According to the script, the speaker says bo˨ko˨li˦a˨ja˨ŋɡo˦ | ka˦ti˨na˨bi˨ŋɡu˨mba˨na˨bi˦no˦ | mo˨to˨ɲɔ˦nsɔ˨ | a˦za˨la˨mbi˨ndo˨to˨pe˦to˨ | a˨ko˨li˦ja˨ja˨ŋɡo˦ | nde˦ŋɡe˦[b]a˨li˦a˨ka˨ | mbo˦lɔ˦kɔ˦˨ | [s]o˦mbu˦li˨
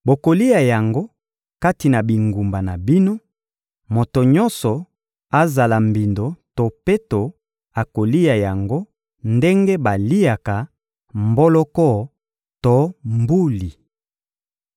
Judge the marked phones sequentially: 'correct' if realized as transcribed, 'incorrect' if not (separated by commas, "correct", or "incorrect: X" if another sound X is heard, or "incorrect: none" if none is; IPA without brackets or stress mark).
correct, incorrect: t